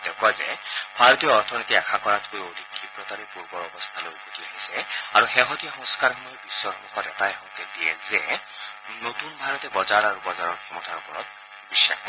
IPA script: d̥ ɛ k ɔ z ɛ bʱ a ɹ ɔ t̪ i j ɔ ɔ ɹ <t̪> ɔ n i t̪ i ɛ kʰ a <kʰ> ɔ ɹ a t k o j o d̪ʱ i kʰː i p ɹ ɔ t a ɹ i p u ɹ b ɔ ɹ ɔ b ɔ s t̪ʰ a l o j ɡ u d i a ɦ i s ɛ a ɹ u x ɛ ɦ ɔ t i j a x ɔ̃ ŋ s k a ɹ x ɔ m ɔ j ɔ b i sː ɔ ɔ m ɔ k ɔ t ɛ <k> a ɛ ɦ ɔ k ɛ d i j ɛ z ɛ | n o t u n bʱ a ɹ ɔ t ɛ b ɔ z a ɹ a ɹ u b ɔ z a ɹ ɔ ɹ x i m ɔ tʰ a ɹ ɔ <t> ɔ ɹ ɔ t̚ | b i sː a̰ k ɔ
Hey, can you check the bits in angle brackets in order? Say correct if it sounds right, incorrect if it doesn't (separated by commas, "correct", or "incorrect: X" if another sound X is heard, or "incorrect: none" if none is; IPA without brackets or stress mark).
incorrect: t̪ʰ, incorrect: k, incorrect: t, incorrect: p